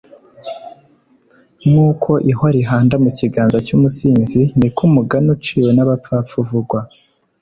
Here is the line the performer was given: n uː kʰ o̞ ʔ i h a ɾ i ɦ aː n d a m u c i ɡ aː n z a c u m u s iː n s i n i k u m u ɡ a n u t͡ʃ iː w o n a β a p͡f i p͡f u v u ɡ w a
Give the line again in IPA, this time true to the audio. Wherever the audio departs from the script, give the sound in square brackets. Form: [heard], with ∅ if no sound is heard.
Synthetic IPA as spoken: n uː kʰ o̞ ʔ i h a ɾ i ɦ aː n d a m u c i ɡ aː n z a c u m u s iː n [z] i n i k u m u ɡ a n u t͡ʃ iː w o n a β a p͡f [a] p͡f u v u ɡ w a